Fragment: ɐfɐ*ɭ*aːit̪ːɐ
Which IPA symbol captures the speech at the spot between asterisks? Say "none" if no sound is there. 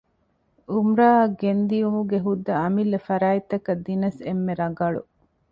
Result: ɾ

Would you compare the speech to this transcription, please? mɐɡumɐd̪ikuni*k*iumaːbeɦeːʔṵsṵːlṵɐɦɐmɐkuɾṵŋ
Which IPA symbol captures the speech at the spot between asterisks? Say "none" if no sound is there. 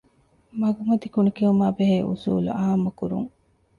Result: k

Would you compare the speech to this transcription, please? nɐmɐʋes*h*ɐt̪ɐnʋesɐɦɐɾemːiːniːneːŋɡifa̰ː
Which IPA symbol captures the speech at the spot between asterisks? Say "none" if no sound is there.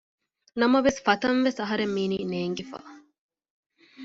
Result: f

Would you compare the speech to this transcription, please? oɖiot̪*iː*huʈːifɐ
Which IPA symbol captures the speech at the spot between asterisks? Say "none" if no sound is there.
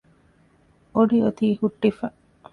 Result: iː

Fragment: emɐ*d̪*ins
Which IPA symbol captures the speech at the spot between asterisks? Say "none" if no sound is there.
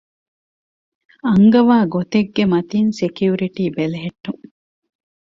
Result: t̪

